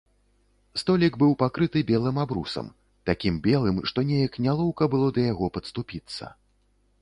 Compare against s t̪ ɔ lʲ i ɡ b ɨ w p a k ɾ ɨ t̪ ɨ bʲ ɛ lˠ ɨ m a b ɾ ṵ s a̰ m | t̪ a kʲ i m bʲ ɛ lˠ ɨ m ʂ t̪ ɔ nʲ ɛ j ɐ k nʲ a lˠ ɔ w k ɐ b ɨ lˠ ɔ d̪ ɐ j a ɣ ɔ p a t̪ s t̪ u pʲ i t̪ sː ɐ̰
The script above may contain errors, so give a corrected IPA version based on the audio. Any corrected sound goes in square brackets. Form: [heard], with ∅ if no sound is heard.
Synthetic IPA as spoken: s t̪ ɔ lʲ i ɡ b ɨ w p a k ɾ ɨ t̪ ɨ bʲ ɛ lˠ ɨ m a b ɾ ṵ s [ɐ̰] m | t̪ a kʲ i m bʲ ɛ lˠ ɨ m ʂ t̪ ɔ nʲ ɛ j ɐ k nʲ a lˠ ɔ w k ɐ b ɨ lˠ ɔ d̪ ɐ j a ɣ ɔ p [ɐ] t̪ s t̪ u pʲ i t̪ sː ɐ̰